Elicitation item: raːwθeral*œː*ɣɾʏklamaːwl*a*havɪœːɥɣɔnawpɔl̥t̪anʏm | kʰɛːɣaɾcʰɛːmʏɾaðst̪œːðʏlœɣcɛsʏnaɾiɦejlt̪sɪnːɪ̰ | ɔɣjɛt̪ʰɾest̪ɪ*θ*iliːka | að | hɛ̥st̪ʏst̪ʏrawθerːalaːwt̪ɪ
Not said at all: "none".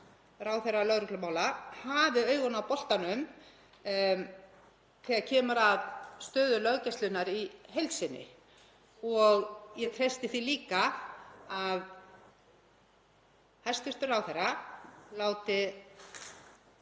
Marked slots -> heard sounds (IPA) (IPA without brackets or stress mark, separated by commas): œ, a, θ